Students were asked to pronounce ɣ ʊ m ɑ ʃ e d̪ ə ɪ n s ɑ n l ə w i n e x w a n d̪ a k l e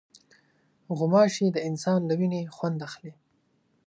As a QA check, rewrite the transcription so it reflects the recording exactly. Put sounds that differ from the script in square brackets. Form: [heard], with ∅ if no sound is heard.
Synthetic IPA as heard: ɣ ʊ m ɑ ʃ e d̪ ə ɪ n s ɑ n l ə w i n e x w a n d̪ a [x] l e